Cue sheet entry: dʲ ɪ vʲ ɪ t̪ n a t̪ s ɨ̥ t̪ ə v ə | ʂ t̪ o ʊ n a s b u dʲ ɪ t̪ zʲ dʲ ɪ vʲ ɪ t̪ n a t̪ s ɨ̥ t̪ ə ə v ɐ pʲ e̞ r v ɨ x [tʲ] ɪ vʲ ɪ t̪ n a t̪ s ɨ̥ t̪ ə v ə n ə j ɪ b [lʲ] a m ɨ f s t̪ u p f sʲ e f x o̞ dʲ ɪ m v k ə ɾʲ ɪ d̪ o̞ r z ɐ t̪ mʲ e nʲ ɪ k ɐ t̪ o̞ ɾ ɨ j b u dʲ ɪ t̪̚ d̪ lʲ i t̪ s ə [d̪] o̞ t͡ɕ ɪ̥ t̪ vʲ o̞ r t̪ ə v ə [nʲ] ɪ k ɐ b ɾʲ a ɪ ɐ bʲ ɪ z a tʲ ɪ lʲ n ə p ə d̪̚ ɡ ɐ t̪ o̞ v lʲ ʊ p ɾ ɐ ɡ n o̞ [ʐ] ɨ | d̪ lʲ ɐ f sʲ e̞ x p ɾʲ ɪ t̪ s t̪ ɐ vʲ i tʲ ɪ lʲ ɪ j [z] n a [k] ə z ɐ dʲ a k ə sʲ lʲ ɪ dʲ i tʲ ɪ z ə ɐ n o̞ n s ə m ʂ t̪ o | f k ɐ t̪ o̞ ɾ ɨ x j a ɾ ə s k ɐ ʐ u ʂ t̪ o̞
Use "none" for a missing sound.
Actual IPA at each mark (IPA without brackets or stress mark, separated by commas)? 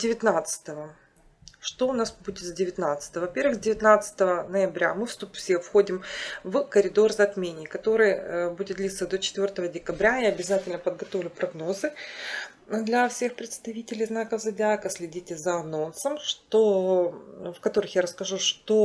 dʲ, ɾʲ, d̪, dʲ, z, z, k